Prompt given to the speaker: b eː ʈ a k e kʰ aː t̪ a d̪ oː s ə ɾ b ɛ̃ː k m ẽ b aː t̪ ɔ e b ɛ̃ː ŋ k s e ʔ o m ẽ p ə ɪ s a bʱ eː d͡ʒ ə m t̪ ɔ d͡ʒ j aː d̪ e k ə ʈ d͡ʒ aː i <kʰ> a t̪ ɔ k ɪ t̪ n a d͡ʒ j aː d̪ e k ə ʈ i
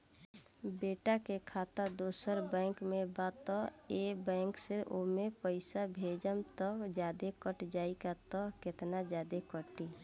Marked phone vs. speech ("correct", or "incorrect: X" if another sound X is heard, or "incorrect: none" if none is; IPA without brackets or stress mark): incorrect: k